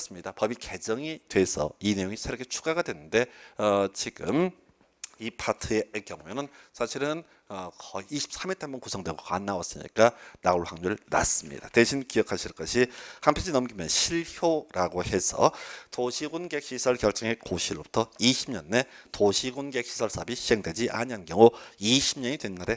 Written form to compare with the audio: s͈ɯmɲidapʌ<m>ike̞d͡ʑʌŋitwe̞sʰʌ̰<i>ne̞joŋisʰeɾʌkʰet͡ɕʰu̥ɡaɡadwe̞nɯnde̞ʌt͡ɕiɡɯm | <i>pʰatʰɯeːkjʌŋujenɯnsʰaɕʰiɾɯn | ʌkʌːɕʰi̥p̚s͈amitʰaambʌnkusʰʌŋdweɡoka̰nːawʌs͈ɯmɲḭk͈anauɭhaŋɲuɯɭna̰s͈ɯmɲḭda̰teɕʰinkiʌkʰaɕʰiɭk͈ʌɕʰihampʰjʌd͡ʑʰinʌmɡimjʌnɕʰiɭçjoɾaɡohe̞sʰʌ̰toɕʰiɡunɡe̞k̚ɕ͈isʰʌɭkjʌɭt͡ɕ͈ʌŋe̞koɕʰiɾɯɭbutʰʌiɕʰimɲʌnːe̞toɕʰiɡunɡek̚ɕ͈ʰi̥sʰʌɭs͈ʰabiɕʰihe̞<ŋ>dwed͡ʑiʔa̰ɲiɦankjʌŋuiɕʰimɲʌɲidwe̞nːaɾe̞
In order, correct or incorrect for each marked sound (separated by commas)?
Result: incorrect, correct, correct, correct